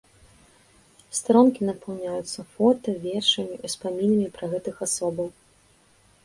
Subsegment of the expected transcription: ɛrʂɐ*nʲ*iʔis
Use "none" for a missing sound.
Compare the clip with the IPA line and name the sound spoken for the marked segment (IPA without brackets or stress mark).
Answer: mʲ